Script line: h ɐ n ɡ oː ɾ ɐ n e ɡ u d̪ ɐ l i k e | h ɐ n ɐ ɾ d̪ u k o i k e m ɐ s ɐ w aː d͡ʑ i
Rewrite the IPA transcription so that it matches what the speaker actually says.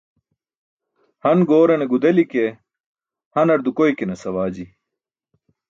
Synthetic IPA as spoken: h ɐ n ɡ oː ɾ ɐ n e ɡ u d̪ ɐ l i k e | h ɐ n ɐ ɾ d̪ u k o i k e n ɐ s ɐ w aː d͡ʑ i